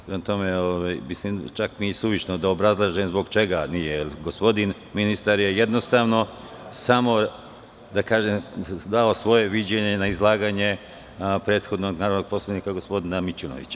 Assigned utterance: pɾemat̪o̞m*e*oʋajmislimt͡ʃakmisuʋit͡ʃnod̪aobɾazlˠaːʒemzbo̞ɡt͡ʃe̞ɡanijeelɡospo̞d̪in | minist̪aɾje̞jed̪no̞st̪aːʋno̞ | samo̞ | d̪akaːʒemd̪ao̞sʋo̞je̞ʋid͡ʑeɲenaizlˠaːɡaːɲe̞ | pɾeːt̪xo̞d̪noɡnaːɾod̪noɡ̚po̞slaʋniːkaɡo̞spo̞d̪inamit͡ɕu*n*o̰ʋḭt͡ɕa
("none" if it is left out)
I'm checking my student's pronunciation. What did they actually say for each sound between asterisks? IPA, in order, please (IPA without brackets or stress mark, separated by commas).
e, n